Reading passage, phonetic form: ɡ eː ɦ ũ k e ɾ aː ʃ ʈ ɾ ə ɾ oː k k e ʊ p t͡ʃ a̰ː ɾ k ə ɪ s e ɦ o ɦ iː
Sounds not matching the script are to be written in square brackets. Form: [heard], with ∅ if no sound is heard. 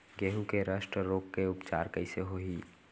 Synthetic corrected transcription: ɡ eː ɦ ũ k e ɾ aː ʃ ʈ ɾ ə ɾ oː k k e ʊ p t͡ʃ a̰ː ɾ k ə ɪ s e ɦ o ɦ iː